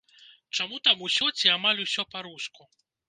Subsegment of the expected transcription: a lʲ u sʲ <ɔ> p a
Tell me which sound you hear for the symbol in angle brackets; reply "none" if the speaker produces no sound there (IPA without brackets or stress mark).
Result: ɔ